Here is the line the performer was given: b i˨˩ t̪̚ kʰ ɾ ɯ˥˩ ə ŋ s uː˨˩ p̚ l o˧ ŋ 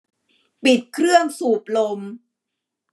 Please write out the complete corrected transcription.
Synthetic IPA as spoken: p i˨˩ t̪̚ kʰ ɾ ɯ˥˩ ə ŋ s uː˨˩ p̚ l o˧ m